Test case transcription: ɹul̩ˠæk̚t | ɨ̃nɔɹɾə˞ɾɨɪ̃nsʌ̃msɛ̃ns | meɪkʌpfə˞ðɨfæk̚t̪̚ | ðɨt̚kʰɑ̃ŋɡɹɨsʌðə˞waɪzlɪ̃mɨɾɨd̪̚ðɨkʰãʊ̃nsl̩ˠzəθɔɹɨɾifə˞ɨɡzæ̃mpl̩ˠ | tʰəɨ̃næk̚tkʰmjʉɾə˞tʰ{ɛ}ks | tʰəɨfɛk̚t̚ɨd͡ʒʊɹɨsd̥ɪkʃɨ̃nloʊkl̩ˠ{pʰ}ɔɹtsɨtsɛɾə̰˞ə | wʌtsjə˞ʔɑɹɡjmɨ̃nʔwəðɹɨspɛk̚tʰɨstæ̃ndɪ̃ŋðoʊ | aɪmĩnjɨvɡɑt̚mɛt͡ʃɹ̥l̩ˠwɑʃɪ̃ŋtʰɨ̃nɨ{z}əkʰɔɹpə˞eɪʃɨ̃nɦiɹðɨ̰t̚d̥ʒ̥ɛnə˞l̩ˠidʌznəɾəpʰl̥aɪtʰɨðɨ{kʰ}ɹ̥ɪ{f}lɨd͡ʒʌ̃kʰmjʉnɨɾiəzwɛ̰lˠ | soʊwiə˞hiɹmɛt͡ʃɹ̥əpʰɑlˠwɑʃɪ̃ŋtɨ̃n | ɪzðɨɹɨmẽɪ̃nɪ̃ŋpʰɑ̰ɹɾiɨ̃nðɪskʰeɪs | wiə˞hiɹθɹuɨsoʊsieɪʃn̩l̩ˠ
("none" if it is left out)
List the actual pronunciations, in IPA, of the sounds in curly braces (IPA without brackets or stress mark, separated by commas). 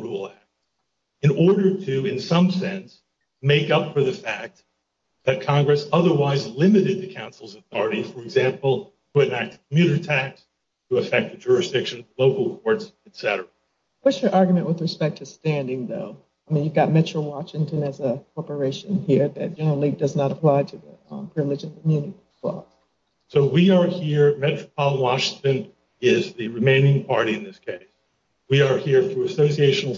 æ, kʰ, z, pʰ, v